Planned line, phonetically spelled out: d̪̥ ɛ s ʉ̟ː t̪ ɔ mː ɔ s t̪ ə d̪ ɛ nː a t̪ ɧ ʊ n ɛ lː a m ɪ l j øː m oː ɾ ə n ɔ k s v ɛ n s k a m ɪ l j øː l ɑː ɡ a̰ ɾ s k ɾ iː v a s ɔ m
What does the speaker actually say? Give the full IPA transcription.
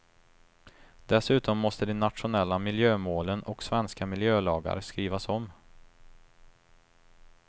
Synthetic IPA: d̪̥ ɛ s ʉ̟ː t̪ ɔ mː ɔ s t̪ ə d̪ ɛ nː a t̪ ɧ ʊ n ɛ lː a m ɪ l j øː m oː l ə n ɔ k s v ɛ n s k a m ɪ l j øː l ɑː ɡ a̰ ɾ s k ɾ iː v a s ɔ m